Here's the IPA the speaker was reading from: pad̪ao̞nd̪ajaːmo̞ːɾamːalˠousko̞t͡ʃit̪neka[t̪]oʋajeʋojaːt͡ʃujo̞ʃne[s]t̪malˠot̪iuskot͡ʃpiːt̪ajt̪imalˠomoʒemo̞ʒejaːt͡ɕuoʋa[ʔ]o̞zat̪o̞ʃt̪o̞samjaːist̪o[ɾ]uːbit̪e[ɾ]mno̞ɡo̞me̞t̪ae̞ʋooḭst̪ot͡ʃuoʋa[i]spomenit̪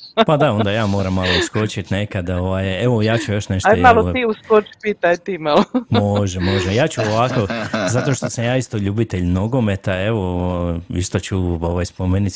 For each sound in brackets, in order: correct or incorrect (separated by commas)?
incorrect, incorrect, incorrect, incorrect, incorrect, incorrect